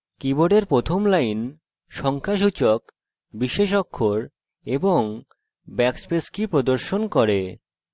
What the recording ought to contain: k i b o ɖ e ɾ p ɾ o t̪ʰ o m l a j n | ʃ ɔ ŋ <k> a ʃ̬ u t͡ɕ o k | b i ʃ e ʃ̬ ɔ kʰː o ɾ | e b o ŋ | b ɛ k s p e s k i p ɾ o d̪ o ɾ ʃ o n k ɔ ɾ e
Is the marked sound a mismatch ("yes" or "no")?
yes